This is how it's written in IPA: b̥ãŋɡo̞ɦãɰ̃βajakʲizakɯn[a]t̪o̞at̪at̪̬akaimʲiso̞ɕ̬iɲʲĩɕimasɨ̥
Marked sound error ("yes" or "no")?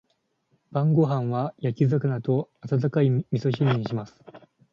no